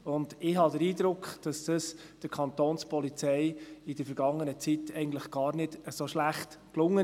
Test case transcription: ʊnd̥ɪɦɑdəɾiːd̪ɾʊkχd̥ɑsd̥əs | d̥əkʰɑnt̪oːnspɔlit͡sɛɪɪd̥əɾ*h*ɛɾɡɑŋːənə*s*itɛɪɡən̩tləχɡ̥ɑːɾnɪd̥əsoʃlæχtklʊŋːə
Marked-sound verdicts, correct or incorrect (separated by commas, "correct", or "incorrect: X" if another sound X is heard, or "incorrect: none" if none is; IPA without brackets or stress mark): incorrect: f, incorrect: t͡s